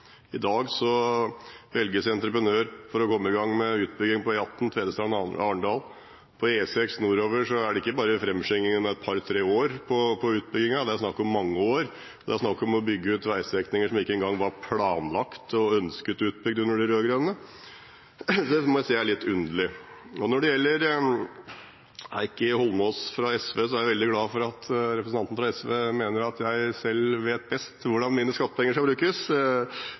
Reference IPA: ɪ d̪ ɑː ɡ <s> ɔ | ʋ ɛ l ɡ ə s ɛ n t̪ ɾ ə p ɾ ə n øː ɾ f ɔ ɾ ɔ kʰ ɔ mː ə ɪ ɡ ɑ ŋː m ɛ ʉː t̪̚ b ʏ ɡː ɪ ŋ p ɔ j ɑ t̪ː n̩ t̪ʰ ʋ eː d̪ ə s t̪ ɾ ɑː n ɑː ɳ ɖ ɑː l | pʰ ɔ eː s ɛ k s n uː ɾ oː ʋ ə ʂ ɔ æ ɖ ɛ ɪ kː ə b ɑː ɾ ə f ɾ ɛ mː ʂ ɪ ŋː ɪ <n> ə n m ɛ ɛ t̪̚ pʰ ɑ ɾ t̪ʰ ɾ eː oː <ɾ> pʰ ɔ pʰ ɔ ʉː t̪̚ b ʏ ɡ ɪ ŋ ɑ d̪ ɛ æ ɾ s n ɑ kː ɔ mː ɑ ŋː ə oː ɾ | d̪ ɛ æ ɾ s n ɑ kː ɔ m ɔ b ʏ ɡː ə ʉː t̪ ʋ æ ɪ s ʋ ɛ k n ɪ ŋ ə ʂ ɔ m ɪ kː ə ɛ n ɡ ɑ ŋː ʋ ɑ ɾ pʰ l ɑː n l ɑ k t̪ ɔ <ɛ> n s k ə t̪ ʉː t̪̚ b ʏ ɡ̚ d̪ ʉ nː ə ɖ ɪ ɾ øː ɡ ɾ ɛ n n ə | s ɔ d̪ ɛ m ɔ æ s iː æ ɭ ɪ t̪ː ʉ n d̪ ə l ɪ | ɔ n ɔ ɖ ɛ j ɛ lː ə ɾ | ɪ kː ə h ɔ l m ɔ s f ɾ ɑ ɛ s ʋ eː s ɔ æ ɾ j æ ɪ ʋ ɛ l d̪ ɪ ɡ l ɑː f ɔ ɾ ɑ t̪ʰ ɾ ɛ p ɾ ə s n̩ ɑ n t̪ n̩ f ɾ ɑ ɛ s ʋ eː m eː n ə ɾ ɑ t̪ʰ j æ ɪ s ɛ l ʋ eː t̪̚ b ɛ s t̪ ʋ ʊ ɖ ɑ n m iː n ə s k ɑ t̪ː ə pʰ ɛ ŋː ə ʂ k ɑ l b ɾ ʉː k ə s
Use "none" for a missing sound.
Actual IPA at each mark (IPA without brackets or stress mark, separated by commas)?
s, ŋ, ɾ, œ